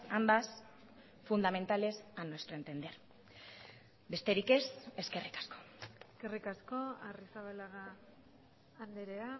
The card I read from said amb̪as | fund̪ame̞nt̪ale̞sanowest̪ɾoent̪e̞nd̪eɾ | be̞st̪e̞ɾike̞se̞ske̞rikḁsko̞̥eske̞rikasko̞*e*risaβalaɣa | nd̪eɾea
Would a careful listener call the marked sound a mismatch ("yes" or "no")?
yes